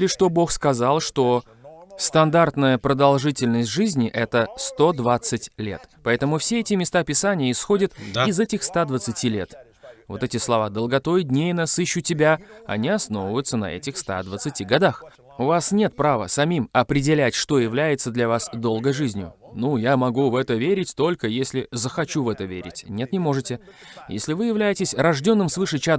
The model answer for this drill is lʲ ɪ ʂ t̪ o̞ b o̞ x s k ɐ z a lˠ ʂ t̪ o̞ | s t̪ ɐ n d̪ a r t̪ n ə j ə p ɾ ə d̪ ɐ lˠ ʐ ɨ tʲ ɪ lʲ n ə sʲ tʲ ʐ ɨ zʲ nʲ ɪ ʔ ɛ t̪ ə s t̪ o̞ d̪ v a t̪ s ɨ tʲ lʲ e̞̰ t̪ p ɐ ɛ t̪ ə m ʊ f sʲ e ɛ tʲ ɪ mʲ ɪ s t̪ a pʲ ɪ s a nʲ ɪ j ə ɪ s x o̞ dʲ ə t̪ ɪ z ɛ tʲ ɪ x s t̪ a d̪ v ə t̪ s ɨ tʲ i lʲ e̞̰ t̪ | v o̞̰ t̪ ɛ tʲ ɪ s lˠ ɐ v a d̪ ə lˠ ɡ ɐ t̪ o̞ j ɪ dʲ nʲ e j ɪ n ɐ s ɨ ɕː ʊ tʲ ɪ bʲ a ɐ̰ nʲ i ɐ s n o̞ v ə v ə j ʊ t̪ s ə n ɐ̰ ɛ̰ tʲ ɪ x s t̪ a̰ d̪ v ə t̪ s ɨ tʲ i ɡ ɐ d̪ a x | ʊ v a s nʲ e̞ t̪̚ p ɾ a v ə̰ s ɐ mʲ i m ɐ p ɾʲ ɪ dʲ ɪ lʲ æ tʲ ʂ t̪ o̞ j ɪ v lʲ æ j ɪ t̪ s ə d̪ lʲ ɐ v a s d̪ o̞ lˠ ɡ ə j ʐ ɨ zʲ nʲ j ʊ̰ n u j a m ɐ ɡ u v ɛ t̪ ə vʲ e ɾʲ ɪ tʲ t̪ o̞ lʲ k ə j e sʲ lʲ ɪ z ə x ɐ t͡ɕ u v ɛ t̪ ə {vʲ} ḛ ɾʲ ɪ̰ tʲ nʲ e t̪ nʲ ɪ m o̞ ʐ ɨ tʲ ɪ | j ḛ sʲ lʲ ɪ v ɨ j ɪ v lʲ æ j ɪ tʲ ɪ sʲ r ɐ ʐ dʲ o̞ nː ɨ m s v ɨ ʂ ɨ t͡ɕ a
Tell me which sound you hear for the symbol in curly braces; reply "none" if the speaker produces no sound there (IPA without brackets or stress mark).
vʲ